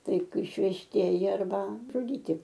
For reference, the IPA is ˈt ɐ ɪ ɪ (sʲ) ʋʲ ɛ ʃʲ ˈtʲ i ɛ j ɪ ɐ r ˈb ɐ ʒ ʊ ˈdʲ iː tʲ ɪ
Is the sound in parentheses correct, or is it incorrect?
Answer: incorrect